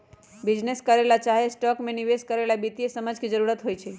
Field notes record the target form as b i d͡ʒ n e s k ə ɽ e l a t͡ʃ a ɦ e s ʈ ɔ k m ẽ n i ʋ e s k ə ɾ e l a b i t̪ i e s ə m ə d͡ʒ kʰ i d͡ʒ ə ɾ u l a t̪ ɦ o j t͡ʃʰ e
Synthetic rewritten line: b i d͡ʒ n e s k ə ɾ e l a t͡ʃ a ɦ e s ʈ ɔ k m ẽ n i ʋ e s k ə ɾ e l a b i t̪ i e s ə m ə d͡ʒ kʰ i d͡ʒ ə ɾ u ɾ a t̪ ɦ o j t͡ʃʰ e